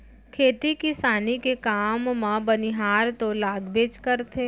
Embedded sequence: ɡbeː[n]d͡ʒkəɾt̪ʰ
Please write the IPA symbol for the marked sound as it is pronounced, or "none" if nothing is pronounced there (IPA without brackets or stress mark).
none